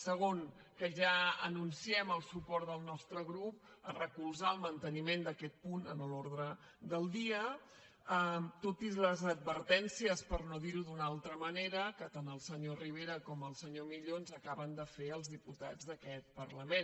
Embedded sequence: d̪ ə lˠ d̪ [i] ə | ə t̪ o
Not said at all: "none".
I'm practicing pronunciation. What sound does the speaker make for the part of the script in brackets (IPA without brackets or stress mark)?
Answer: i